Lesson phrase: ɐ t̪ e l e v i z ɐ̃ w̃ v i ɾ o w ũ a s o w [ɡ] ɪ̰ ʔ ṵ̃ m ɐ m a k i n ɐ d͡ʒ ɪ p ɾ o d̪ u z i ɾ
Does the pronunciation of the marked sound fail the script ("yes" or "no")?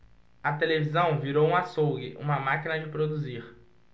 no